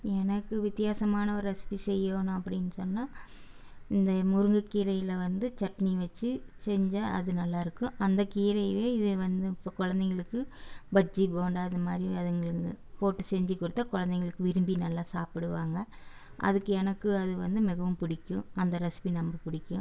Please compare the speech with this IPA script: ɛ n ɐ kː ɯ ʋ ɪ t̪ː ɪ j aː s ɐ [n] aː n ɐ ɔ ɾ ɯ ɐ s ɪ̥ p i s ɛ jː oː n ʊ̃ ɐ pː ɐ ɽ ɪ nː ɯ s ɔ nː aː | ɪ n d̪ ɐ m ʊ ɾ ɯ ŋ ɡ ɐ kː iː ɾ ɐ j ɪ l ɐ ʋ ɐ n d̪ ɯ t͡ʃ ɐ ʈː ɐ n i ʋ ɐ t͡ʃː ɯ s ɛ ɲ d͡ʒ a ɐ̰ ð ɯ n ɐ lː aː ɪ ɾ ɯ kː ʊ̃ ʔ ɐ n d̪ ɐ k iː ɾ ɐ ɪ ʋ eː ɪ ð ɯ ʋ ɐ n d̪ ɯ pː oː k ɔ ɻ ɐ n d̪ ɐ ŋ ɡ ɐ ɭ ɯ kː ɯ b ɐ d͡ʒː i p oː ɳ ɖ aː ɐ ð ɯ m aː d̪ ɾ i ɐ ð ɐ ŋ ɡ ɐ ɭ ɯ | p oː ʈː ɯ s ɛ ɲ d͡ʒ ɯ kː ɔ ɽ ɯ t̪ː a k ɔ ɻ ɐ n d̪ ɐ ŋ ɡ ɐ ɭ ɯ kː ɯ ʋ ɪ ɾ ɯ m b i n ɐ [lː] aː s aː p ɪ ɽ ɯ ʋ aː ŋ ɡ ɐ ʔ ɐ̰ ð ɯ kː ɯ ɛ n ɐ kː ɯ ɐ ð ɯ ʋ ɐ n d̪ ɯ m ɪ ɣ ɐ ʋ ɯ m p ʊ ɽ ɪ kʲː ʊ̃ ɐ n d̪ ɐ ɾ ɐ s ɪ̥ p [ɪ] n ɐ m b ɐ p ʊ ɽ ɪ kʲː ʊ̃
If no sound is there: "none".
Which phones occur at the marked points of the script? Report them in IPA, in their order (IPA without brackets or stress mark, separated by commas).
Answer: m, lː, i